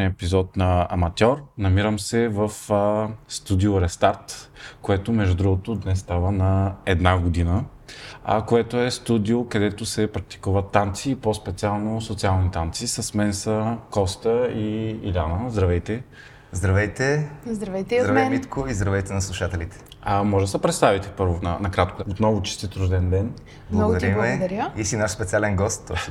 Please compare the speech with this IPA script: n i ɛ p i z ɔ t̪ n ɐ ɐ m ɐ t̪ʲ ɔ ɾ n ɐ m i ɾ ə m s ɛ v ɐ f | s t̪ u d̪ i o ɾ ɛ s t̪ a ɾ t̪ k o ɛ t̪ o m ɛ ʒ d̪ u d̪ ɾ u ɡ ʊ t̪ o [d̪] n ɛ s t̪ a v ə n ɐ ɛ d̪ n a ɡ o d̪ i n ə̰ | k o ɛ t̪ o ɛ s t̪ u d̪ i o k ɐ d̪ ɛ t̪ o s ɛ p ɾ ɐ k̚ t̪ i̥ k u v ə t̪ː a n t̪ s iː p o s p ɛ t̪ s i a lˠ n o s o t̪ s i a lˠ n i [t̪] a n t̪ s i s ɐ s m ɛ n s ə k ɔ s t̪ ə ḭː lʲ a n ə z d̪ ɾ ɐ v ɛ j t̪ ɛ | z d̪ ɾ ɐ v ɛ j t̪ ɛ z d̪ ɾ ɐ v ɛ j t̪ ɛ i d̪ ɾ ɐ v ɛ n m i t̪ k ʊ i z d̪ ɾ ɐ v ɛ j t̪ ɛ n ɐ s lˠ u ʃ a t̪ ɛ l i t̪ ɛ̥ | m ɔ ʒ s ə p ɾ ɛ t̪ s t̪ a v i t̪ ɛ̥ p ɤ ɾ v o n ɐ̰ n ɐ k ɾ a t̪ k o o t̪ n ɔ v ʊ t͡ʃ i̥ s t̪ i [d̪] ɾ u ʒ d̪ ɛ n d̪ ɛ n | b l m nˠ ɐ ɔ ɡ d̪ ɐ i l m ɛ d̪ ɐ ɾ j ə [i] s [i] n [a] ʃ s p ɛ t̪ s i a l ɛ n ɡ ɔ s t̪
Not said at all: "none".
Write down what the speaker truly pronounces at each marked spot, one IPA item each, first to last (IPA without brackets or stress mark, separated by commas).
d̪, t̪, t̪, i, i, a